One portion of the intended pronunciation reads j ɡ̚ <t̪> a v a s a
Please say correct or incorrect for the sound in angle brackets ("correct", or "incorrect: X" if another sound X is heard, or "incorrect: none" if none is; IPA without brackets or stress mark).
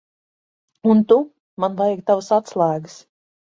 correct